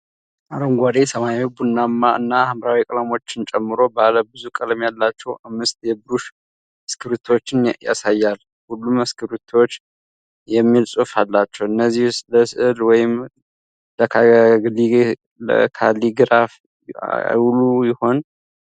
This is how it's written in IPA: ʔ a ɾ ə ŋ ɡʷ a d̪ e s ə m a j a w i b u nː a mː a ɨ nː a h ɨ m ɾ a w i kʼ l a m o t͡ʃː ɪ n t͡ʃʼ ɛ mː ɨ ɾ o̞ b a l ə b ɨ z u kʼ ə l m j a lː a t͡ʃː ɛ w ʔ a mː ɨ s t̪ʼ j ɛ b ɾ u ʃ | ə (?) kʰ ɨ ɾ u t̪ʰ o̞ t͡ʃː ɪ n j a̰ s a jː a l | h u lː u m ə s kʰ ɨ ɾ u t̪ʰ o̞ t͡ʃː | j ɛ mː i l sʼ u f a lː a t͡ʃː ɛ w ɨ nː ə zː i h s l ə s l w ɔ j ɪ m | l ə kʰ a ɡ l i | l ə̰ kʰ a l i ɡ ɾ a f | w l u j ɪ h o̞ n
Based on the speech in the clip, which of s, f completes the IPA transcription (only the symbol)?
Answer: s